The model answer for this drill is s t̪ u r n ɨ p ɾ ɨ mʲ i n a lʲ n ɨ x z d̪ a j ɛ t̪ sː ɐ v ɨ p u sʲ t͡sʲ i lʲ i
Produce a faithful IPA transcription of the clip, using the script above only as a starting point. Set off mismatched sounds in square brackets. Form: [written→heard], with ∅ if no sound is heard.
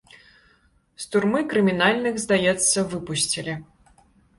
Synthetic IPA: s t̪ u r [n→m] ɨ [p→k] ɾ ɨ mʲ i n a lʲ n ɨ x z d̪ a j ɛ t̪ sː ɐ v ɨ p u sʲ t͡sʲ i lʲ i